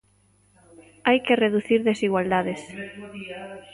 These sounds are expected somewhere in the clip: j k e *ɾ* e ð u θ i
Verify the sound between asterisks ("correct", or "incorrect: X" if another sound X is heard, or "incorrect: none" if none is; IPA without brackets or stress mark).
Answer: incorrect: r